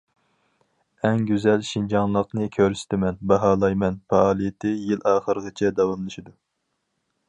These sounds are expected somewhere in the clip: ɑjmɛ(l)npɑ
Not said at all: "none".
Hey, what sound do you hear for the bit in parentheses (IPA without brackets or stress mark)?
none